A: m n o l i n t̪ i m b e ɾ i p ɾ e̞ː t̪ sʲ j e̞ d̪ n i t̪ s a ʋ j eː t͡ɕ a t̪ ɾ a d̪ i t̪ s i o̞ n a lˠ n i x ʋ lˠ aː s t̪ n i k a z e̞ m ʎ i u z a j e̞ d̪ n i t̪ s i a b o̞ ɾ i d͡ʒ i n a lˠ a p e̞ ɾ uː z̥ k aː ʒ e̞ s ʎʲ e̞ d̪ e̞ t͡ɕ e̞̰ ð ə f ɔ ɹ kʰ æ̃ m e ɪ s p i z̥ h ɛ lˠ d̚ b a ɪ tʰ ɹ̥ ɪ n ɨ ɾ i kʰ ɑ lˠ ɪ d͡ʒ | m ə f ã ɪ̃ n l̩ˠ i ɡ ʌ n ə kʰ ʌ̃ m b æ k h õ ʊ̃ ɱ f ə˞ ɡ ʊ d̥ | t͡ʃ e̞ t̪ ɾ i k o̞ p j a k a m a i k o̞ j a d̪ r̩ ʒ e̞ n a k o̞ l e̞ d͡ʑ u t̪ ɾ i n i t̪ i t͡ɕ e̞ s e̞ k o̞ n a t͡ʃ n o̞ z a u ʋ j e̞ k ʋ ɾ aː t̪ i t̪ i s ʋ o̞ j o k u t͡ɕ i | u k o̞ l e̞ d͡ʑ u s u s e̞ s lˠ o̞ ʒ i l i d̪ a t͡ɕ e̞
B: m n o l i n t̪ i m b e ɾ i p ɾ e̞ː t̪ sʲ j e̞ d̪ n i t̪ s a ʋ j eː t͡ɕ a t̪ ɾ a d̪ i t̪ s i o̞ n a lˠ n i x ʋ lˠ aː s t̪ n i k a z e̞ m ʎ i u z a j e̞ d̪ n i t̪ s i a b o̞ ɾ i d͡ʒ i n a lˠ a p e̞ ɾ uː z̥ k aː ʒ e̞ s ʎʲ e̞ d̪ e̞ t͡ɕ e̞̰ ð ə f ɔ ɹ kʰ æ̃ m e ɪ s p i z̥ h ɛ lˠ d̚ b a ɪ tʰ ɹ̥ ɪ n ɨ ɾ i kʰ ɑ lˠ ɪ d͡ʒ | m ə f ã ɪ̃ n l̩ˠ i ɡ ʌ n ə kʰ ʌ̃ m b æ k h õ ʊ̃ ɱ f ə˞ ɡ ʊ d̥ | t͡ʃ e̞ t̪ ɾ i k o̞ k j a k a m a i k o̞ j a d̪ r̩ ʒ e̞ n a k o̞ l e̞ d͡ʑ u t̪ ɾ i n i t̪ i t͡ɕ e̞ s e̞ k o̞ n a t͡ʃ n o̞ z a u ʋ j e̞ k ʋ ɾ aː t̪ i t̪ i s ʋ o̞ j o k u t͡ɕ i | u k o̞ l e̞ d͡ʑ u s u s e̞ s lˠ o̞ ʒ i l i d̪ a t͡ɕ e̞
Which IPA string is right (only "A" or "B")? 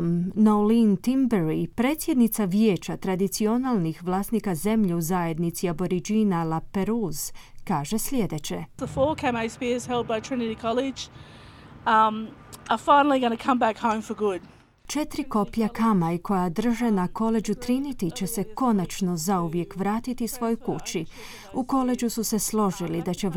A